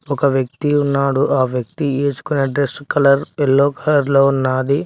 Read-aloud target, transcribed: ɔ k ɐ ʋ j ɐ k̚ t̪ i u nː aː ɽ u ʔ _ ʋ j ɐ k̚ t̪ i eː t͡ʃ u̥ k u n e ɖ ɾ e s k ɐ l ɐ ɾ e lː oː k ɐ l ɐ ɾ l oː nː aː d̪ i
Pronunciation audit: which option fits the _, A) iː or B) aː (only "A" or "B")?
B